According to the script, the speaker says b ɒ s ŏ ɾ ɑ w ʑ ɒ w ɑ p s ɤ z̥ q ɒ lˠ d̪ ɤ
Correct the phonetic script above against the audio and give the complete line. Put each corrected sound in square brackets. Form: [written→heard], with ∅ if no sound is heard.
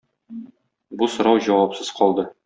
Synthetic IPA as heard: b [ɒ→u] s ŏ ɾ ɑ w ʑ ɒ w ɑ p s ɤ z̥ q ɒ lˠ d̪ ɤ

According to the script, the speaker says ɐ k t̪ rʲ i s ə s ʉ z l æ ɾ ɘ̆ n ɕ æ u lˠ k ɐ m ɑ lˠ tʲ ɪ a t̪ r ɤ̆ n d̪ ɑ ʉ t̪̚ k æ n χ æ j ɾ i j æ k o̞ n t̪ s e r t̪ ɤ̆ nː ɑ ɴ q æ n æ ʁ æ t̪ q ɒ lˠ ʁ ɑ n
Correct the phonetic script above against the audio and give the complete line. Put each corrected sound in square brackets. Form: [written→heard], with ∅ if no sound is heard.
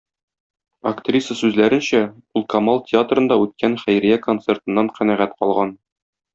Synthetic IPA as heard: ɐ k t̪ rʲ i s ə s ʉ z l æ ɾ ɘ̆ n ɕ æ u lˠ k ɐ m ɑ lˠ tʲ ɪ a t̪ r ɤ̆ n d̪ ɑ ʉ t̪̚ k æ n χ æ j ɾ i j æ k o̞ n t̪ s e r t̪ ɤ̆ nː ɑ ɴ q æ n æ ʁ æ t̪ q ɒ lˠ ʁ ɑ n

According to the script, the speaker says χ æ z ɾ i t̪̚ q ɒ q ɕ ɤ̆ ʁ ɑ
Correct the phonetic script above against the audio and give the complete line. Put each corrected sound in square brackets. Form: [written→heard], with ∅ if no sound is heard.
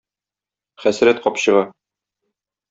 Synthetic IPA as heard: χ æ [z→s] ɾ [i→æ] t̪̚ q ɒ [q→p] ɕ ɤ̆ ʁ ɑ

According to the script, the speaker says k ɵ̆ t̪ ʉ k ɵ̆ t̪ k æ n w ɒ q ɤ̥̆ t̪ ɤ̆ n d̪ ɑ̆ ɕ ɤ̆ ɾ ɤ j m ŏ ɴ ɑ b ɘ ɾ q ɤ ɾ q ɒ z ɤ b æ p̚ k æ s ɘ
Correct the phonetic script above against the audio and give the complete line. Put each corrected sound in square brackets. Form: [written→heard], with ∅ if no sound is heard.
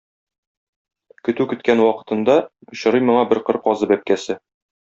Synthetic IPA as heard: k ɵ̆ t̪ ʉ k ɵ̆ t̪ k æ n w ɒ q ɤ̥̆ t̪ ɤ̆ n d̪ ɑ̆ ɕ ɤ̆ ɾ ɤ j m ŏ ɴ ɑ b ɘ ɾ q ɤ ɾ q ɒ z ɤ b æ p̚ k æ s ɘ

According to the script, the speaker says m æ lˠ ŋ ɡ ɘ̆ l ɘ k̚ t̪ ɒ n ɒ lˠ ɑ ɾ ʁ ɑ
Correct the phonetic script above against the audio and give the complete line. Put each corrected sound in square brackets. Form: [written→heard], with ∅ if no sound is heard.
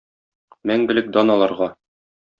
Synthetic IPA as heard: m æ [lˠ→∅] ŋ ɡ ɘ̆ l ɘ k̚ [t̪→d̪] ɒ n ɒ lˠ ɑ ɾ ʁ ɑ

